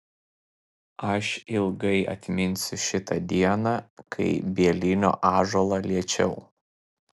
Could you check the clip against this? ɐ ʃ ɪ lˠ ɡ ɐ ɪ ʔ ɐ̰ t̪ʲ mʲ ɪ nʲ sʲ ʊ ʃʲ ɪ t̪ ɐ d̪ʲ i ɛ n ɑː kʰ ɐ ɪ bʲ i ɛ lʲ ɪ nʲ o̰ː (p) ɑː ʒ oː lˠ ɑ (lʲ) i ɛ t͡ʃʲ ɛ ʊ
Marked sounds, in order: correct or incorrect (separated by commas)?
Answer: incorrect, correct